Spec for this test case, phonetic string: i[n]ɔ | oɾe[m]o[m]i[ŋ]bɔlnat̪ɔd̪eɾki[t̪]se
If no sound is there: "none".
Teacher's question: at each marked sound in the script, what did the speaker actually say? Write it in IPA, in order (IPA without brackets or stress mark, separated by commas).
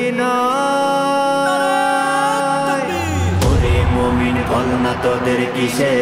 n, m, m, n, none